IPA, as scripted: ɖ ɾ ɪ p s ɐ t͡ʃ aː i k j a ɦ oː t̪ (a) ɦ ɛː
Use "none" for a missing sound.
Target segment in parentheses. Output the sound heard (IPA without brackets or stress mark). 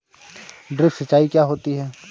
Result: i